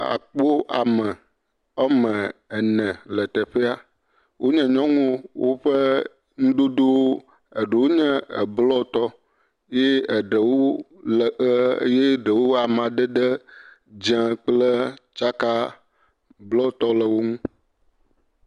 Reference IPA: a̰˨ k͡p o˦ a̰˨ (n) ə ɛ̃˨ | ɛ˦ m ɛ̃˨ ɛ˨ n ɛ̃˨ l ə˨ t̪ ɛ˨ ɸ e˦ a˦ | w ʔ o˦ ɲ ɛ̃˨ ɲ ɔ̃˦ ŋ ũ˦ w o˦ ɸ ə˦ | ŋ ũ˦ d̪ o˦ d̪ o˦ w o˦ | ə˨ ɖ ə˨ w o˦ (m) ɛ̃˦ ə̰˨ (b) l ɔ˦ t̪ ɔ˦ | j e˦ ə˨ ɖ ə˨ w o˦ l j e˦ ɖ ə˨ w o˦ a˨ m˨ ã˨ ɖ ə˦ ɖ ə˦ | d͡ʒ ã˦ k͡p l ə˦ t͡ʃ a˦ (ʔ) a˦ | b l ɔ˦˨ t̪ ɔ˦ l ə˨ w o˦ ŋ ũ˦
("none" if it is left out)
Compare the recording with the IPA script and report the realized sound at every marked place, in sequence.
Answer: m, ɲ, b, k

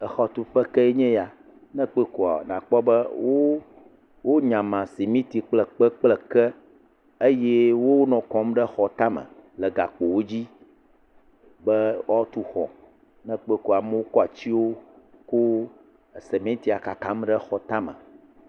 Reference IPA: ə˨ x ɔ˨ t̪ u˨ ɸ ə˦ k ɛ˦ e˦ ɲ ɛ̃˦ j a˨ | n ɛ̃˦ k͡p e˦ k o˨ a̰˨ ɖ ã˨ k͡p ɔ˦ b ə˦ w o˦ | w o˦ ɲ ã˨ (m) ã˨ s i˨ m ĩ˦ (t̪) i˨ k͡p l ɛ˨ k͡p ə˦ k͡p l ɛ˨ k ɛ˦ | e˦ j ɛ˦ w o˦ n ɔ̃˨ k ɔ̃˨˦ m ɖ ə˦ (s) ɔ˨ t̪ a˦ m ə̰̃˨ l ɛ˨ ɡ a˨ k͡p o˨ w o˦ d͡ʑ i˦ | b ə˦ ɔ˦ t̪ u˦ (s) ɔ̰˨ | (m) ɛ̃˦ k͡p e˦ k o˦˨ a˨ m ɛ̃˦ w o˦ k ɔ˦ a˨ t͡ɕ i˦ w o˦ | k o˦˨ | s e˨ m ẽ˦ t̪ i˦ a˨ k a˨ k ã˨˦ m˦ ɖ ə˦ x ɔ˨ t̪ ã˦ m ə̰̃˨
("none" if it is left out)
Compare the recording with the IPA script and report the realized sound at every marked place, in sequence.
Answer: m, t̪, x, x, n

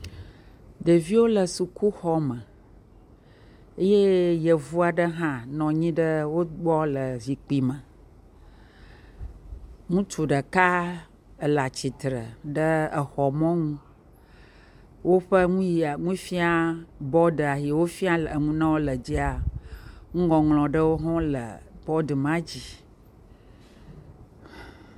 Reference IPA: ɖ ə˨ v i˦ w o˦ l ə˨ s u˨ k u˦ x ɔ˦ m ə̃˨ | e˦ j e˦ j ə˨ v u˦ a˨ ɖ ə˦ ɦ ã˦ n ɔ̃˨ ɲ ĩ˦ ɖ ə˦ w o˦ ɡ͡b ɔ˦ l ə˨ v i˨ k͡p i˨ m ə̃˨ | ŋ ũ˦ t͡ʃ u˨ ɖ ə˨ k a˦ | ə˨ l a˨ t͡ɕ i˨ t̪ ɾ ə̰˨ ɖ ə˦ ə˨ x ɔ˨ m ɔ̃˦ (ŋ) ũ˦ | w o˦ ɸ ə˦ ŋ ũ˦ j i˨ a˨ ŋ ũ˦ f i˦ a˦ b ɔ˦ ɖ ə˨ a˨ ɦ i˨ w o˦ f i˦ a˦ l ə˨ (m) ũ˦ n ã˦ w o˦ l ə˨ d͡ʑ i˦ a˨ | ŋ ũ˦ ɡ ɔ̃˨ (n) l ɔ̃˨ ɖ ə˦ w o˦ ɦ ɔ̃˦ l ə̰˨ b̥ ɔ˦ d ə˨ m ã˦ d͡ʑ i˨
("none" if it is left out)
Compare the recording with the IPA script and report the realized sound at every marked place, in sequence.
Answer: ŋ, ŋ, ŋ

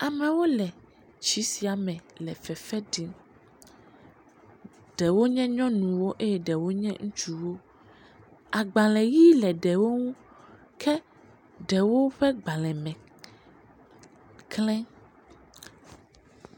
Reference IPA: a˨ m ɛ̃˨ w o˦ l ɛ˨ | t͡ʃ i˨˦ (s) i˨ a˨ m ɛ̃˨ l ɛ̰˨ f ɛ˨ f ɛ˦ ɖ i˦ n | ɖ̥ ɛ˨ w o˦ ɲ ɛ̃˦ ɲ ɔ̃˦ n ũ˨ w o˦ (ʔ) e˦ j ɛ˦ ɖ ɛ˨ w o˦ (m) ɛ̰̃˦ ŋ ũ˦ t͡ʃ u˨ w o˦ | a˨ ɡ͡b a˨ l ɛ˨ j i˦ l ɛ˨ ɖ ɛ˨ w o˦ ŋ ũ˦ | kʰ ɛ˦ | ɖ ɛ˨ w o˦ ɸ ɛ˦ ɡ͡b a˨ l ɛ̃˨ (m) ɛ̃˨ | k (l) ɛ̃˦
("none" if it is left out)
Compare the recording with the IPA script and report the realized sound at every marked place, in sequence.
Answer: s, ʔ, ɲ, m, l

